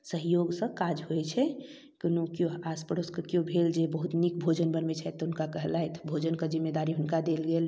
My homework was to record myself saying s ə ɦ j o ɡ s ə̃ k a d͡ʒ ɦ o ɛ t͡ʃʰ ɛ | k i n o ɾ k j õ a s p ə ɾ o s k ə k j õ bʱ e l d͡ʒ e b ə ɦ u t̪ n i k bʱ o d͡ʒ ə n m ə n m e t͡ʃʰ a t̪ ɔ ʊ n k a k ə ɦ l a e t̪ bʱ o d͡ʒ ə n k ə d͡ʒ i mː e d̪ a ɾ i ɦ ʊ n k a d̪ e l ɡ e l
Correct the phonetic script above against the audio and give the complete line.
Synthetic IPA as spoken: s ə ɦ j o ɡ s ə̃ k a d͡ʒ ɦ o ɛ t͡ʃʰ ɛ | k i n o k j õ a s p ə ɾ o s k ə k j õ bʱ e l d͡ʒ e b ə ɦ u t̪ n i k bʱ o d͡ʒ ə n b ə n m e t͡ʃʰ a t̪ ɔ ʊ n k a k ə ɦ l a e t̪ bʱ o d͡ʒ ə n k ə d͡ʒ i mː e d̪ a ɾ i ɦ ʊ n k a d̪ e l ɡ e l